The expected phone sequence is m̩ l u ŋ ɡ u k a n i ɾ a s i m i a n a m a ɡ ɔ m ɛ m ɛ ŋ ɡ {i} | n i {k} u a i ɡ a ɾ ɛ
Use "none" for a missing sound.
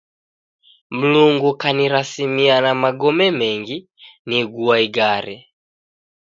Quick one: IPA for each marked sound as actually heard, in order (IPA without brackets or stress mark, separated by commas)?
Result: i, ɡ